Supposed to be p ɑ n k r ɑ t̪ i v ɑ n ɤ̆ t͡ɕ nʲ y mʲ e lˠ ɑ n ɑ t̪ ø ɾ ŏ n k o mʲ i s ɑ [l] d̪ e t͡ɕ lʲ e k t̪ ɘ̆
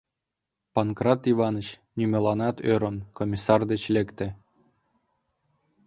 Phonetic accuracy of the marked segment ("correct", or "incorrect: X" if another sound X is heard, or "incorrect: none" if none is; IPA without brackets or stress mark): incorrect: r